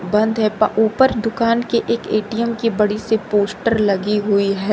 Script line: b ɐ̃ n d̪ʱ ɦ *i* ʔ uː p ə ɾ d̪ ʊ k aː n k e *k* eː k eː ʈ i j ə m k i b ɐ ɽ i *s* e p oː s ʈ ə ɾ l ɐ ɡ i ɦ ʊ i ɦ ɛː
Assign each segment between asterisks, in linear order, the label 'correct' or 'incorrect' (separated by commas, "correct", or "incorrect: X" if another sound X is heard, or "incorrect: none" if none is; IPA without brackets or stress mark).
incorrect: ɛ, incorrect: ʔ, correct